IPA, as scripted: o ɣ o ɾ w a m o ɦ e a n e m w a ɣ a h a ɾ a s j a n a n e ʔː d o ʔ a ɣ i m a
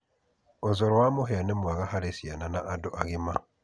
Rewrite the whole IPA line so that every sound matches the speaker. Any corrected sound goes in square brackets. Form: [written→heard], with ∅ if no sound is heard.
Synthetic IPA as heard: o [ɣ→z] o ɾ w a m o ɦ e a n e m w a ɣ a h a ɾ [a→e] s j a n a n [e→a] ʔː d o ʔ a ɣ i m a